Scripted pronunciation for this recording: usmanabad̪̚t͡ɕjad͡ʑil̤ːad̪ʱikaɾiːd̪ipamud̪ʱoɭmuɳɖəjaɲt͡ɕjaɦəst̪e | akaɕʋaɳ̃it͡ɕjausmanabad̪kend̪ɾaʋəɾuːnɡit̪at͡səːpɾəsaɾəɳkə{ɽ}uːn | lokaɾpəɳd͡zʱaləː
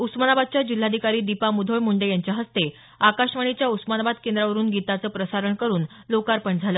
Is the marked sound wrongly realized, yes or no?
yes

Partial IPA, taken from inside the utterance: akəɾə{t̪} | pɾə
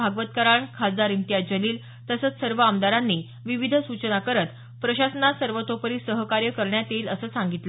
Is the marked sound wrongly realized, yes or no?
no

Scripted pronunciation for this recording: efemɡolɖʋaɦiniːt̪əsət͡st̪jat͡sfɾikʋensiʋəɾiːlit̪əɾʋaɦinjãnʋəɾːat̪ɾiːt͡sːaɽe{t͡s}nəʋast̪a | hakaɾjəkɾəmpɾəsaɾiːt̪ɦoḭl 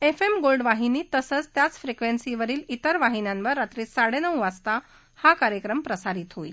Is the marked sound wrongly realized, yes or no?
yes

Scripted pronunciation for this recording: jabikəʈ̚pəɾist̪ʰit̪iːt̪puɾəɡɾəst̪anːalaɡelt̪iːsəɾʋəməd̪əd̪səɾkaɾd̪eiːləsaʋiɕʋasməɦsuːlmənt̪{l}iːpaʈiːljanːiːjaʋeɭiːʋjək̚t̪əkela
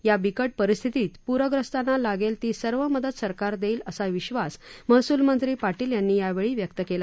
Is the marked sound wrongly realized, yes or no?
yes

